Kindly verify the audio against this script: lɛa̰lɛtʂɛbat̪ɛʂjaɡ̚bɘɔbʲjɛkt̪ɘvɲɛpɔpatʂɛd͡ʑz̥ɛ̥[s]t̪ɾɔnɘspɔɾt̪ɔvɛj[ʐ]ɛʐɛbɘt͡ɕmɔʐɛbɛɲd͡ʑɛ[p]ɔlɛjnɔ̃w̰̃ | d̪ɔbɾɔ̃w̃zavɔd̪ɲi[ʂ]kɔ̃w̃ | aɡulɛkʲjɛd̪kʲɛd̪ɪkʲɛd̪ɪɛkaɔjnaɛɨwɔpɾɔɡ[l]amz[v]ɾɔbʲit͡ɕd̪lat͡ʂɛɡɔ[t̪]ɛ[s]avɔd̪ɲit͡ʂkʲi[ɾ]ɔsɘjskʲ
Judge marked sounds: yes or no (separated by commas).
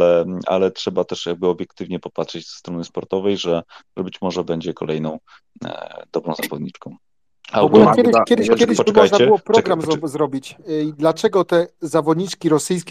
yes, yes, no, no, no, no, yes, no, yes